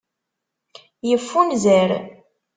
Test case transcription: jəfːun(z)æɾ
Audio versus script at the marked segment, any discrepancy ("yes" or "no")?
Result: no